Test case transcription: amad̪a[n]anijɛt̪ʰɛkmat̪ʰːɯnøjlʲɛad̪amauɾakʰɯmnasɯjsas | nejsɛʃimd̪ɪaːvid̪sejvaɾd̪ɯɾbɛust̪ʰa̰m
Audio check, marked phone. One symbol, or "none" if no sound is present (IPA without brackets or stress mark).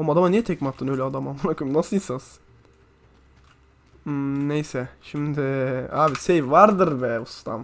m